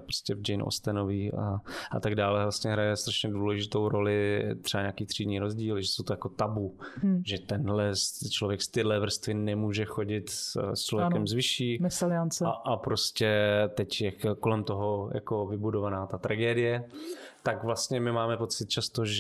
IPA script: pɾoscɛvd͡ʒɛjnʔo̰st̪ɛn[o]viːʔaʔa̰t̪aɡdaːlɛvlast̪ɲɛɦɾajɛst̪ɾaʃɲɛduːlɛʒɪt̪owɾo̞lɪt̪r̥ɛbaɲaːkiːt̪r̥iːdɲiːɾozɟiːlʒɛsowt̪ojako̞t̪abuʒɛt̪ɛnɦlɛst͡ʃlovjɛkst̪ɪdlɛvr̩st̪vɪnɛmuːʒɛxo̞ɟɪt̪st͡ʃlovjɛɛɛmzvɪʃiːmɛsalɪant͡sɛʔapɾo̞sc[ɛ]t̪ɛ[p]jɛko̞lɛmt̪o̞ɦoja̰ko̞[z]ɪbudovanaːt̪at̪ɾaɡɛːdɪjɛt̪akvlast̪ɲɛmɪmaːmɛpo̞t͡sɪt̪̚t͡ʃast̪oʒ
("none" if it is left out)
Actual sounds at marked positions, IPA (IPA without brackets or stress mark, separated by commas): o, ɛ, c, v